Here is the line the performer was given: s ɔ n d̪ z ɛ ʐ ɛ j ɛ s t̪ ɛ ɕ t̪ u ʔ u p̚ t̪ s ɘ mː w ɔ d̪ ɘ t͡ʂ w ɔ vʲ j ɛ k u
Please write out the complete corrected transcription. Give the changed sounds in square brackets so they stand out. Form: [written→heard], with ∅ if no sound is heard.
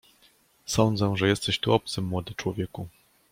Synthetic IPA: s ɔ n d̪ z ɛ ʐ ɛ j ɛ s t̪ ɛ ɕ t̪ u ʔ [u→ɔ] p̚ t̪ s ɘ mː w ɔ d̪ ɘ t͡ʂ w ɔ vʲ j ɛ k u

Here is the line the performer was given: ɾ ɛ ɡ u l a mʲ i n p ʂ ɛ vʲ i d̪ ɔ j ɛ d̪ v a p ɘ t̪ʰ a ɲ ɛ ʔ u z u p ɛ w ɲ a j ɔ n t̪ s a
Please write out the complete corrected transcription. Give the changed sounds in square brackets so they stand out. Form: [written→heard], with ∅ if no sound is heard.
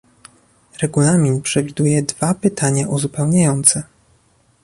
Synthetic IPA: ɾ ɛ ɡ u l a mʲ i n p ʂ ɛ vʲ i d̪ [ɔ→u] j ɛ d̪ v a p ɘ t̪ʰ a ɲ [ɛ→a] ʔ u z u p ɛ w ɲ a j ɔ n t̪ s [a→ɛ]

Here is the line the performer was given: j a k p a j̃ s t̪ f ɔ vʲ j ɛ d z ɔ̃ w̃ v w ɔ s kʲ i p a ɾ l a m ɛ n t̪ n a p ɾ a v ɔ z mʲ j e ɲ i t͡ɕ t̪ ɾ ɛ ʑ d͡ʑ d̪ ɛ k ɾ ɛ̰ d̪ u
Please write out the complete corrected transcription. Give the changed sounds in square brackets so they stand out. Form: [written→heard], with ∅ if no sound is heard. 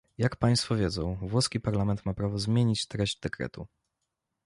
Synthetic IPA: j a k p a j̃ s t̪ f ɔ vʲ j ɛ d z ɔ̃ w̃ v w ɔ s kʲ i p a ɾ l a m ɛ n t̪ [n→m] a p ɾ a v ɔ z mʲ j e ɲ i t͡ɕ t̪ ɾ ɛ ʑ d͡ʑ d̪ ɛ k ɾ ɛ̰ [d̪→t̪] u

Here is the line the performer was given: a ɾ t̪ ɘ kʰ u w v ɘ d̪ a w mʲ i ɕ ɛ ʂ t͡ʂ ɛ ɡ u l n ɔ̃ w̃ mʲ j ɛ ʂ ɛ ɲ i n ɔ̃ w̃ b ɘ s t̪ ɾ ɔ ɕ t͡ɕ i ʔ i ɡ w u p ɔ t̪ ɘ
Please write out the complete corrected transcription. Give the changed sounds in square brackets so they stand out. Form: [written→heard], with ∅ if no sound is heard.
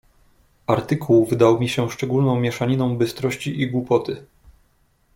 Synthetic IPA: a ɾ t̪ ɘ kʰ u w v ɘ d̪ a w mʲ i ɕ ɛ ʂ t͡ʂ ɛ ɡ u l n ɔ̃ w̃ mʲ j ɛ ʂ [ɛ→a] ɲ i n ɔ̃ w̃ b ɘ s t̪ ɾ ɔ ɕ t͡ɕ i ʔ i ɡ w u p ɔ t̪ ɘ

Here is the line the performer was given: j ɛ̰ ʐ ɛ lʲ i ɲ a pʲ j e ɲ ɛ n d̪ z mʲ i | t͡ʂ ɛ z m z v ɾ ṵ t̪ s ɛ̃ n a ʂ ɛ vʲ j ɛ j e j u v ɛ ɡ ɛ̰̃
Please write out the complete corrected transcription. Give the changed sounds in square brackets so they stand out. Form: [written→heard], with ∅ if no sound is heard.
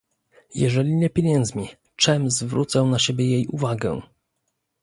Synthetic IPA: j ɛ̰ ʐ ɛ lʲ i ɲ [a→ɛ] pʲ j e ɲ ɛ n d̪ z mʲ i | t͡ʂ ɛ [z→∅] m z v ɾ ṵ t̪ s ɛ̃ n a [ʂ→ɕ] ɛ [vʲ→bʲ] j ɛ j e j u v [ɛ→a] ɡ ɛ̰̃

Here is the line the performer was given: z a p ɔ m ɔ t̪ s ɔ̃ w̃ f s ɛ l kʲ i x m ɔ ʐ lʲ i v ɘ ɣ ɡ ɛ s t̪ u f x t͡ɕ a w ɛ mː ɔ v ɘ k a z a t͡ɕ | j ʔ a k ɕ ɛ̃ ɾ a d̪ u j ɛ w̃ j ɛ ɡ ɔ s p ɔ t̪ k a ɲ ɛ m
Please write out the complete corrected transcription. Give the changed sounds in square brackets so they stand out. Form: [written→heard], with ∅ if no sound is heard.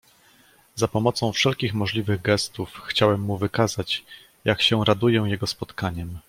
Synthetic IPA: z a p ɔ m ɔ t̪ s ɔ̃ w̃ f [s→ʂ] ɛ l kʲ i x m ɔ ʐ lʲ i v ɘ ɣ ɡ ɛ s t̪ u f x t͡ɕ a w ɛ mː [ɔ→u] v ɘ k a z a t͡ɕ | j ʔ a k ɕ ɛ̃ ɾ a d̪ u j ɛ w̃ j ɛ ɡ ɔ s p ɔ t̪ k a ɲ ɛ m

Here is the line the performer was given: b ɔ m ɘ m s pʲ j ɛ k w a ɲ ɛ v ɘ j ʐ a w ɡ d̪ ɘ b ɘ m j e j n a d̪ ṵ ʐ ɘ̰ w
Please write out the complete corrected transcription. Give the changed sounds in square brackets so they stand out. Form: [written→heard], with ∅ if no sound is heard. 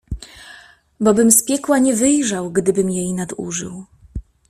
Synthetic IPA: b ɔ [m→b] ɘ m s pʲ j ɛ k w a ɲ ɛ v ɘ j ʐ a w ɡ d̪ ɘ b ɘ m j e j n a d̪ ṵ ʐ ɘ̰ w

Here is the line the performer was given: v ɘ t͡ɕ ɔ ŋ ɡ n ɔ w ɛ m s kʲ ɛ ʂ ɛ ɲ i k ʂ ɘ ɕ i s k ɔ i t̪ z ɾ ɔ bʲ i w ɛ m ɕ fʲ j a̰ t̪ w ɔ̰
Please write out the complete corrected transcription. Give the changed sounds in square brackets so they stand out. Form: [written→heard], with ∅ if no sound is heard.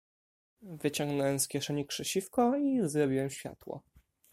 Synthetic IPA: v ɘ t͡ɕ ɔ ŋ ɡ n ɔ w ɛ m s kʲ ɛ ʂ ɛ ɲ i k ʂ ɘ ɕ i [s→f] k ɔ i [t̪→∅] z ɾ ɔ bʲ i w ɛ m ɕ fʲ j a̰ t̪ w ɔ̰

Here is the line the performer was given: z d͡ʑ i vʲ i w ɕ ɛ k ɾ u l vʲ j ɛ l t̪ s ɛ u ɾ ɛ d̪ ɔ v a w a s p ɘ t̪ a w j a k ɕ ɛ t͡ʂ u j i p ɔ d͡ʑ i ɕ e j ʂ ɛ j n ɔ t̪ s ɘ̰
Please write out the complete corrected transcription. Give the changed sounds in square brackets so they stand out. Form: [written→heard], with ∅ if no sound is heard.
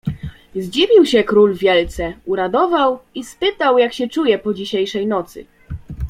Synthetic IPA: z d͡ʑ i vʲ i w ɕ ɛ k ɾ u l vʲ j ɛ l t̪ s ɛ u ɾ [ɛ→a] d̪ ɔ v a w [a→i] s p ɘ t̪ a w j a k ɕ ɛ t͡ʂ u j [i→ɛ] p ɔ d͡ʑ i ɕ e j ʂ ɛ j n ɔ t̪ s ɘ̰

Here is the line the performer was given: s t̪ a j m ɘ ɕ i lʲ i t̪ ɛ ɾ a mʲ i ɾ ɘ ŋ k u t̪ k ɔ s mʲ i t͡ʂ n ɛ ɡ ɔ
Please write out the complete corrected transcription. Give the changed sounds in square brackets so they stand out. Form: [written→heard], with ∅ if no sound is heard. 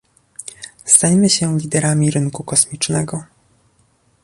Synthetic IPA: s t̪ a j m ɘ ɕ [i→ɛ] lʲ i [t̪→d̪] ɛ ɾ a mʲ i ɾ ɘ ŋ k u [t̪→∅] k ɔ s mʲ i t͡ʂ n ɛ ɡ ɔ

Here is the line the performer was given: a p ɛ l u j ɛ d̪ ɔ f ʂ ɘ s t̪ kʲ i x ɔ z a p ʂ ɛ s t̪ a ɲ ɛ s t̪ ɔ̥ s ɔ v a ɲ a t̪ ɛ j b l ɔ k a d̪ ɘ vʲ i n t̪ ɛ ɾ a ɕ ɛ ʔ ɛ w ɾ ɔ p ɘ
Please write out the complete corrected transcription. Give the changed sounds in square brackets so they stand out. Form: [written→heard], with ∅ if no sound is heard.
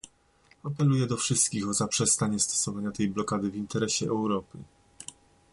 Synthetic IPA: a p ɛ l u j ɛ d̪ ɔ f ʂ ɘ s t̪ kʲ i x ɔ z a p ʂ ɛ s t̪ a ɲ ɛ s t̪ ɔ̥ s ɔ v a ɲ a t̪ ɛ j b l ɔ k a d̪ ɘ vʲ i n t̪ ɛ ɾ [a→ɛ] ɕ ɛ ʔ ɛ w ɾ ɔ p ɘ

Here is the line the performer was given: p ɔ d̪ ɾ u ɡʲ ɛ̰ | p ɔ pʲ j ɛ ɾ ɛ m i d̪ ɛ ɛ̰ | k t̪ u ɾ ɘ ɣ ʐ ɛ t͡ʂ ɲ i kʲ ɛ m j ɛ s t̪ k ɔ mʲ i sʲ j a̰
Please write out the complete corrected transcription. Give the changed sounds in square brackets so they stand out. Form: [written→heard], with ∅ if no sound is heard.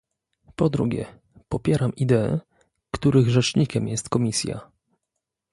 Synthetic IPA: p ɔ d̪ ɾ u ɡʲ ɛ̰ | p ɔ pʲ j ɛ ɾ [ɛ→a] m i d̪ ɛ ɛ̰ | k t̪ u ɾ ɘ ɣ ʐ ɛ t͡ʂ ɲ i kʲ ɛ m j ɛ s t̪ k ɔ mʲ i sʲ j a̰

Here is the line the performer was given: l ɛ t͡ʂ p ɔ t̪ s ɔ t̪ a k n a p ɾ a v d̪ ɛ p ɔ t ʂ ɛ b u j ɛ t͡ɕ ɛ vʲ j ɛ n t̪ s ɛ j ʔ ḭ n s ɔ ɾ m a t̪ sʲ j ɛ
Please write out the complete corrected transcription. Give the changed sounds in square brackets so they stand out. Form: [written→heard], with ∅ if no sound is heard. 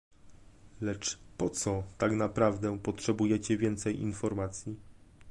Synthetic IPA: l ɛ t͡ʂ p ɔ t̪ s ɔ t̪ a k n a p ɾ a v d̪ ɛ p ɔ t ʂ ɛ b u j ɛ t͡ɕ ɛ vʲ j ɛ n t̪ s ɛ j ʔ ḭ n [s→f] ɔ ɾ m a t̪ sʲ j [ɛ→i]

